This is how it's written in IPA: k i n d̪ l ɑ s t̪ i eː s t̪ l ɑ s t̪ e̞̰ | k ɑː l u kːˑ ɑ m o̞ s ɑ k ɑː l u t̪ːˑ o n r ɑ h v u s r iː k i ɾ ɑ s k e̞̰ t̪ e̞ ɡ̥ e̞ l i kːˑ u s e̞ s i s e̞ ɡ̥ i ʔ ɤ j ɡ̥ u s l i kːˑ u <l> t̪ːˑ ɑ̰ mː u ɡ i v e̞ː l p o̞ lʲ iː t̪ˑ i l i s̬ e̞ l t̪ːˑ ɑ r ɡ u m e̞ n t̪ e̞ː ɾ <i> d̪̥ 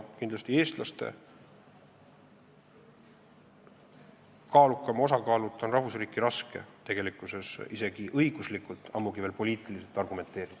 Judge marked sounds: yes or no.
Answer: yes, yes

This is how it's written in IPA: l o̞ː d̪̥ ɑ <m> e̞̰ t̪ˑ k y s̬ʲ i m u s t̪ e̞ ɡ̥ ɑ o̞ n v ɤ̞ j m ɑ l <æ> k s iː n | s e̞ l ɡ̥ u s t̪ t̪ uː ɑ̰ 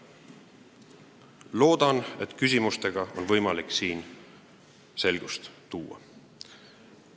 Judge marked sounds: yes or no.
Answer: no, no

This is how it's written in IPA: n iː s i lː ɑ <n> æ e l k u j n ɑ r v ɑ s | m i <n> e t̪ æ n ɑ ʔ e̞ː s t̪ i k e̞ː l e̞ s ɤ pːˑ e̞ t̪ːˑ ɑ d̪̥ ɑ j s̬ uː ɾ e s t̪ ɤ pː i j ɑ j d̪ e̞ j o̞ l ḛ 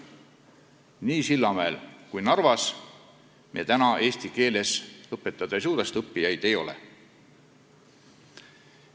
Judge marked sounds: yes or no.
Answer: no, no

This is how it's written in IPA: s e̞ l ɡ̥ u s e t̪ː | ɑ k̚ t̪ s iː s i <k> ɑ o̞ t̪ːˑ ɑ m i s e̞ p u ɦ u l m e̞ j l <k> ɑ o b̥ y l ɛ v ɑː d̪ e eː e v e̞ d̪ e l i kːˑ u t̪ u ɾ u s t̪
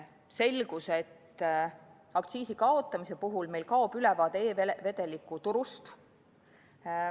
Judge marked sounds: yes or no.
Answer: yes, yes

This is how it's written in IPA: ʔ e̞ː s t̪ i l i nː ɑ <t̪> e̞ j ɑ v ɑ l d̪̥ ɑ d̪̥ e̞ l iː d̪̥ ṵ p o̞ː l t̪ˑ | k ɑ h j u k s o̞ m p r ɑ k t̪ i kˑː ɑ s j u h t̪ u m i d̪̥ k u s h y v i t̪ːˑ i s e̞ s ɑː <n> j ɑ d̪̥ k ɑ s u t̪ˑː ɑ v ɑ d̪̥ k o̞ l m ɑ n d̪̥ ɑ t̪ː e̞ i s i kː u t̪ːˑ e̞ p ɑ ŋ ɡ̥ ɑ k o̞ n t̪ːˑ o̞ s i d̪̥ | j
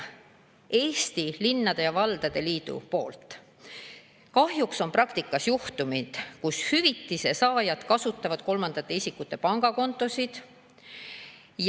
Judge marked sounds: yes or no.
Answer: no, no

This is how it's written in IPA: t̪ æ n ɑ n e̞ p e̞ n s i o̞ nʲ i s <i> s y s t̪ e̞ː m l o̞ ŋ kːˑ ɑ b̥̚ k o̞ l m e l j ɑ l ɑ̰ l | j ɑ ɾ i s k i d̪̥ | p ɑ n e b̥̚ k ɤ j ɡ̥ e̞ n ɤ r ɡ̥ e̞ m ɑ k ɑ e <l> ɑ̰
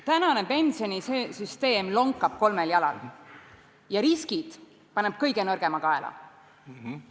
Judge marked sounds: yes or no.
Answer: no, yes

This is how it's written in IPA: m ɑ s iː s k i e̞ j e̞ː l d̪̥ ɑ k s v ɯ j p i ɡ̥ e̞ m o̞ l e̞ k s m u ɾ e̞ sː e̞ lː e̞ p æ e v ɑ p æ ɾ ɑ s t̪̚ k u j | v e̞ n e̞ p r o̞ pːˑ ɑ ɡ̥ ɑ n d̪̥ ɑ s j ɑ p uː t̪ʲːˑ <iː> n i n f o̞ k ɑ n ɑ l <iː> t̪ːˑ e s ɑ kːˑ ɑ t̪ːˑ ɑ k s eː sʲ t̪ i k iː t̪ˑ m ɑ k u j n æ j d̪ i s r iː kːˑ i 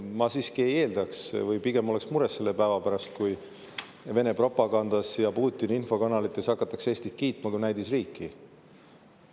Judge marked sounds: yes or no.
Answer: no, no

